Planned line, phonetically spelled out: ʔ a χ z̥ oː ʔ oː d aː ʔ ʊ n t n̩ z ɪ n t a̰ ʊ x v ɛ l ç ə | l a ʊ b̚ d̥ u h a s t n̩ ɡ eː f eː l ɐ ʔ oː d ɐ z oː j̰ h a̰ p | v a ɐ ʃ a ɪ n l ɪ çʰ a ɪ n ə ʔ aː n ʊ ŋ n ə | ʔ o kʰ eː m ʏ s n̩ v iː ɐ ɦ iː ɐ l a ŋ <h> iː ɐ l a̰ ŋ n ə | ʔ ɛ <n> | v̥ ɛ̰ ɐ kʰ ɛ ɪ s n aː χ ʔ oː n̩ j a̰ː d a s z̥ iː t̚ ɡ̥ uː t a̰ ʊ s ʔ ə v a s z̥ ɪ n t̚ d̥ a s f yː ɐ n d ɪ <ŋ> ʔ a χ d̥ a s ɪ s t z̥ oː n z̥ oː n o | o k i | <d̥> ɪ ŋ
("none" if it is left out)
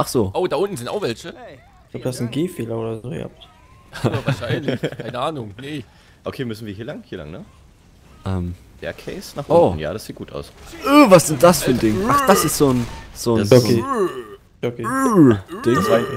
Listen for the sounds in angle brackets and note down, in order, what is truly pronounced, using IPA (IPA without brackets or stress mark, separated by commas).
h, m, ŋ, d̥